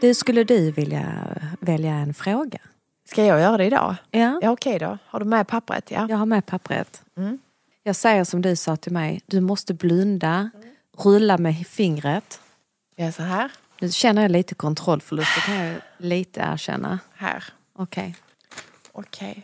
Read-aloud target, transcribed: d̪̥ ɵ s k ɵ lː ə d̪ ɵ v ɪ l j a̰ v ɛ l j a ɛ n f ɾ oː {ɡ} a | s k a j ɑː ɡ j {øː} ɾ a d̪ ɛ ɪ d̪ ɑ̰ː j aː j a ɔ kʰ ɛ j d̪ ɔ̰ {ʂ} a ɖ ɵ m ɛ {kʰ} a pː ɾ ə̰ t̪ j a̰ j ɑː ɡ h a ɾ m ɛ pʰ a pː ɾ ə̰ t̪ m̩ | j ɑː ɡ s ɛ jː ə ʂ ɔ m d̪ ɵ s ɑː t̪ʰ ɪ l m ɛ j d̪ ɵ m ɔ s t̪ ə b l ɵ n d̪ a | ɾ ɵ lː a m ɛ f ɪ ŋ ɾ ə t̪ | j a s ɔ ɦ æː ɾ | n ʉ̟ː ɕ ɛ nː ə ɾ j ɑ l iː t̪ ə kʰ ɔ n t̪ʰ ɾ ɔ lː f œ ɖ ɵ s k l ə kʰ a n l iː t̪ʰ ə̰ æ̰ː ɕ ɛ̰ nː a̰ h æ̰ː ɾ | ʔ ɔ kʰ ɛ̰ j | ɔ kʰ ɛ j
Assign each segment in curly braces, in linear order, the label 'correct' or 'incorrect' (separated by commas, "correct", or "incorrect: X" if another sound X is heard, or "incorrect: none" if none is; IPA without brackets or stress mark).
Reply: correct, incorrect: œː, incorrect: h, incorrect: pʰ